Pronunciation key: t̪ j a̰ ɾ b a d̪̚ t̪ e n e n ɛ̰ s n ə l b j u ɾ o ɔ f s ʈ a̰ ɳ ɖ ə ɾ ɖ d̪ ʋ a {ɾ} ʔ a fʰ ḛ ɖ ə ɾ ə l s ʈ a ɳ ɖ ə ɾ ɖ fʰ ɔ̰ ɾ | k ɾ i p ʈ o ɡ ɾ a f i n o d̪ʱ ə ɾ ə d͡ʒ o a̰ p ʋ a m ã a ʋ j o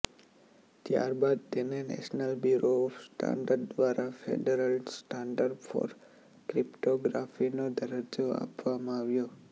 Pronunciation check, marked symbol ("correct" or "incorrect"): correct